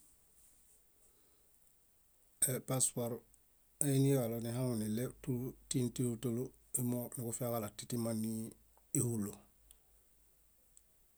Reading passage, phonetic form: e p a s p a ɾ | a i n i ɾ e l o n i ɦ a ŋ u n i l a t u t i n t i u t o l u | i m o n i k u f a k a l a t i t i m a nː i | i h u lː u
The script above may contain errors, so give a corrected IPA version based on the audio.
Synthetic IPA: e p a s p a ɾ | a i n i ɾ a l o n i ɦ a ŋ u n i l e t u t i n t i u t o l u | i m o n i k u f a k a l a t i t i m a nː i | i h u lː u